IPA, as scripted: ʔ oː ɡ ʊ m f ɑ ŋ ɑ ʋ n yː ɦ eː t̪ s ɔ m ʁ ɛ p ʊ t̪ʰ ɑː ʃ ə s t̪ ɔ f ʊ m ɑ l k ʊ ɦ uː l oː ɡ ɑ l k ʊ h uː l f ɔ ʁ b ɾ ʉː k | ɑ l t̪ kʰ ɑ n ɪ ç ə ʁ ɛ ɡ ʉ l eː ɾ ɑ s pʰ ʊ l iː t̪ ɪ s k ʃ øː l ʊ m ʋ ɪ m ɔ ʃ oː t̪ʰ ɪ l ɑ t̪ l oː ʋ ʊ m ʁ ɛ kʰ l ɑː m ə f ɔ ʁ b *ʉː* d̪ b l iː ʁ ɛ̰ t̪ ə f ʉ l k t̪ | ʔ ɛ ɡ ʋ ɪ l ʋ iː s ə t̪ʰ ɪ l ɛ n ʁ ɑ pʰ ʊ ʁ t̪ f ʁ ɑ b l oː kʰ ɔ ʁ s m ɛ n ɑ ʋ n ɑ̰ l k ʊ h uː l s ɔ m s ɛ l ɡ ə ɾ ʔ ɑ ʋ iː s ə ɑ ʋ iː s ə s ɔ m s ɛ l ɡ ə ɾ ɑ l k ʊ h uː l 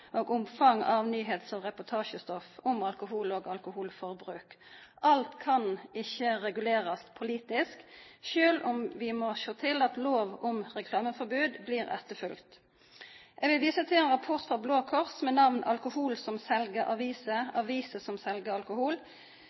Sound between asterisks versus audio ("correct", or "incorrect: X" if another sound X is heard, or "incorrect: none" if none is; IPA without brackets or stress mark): correct